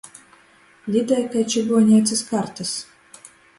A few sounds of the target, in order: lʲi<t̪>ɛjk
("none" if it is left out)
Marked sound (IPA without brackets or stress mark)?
d̪